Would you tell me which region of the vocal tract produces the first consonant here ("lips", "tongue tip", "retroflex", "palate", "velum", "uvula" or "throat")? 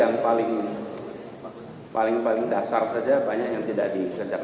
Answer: velum